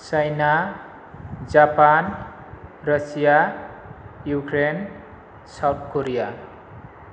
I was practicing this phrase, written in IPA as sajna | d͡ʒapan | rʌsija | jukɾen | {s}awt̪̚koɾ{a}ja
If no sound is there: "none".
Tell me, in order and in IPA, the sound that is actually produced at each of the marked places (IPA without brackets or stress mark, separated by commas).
s, i